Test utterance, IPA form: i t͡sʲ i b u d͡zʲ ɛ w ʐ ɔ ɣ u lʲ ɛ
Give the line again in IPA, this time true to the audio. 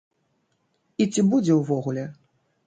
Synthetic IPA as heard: i t͡sʲ i b u d͡zʲ ɛ w v ɔ ɣ u lʲ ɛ